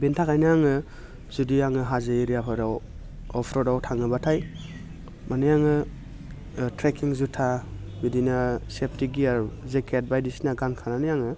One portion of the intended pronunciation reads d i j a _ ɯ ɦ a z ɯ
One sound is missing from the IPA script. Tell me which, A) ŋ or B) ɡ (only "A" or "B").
A